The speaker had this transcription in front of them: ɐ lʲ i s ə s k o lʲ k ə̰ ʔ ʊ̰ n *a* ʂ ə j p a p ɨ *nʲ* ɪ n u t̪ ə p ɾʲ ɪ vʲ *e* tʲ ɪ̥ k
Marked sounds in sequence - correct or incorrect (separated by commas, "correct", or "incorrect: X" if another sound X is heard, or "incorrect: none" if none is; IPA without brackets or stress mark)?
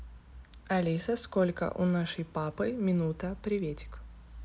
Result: correct, incorrect: mʲ, correct